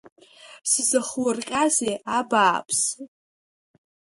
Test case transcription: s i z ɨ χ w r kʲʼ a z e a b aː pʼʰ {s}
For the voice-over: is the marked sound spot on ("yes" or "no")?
yes